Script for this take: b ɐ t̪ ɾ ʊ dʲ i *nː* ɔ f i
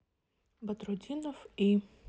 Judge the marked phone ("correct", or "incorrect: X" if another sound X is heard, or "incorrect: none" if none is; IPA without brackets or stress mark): incorrect: n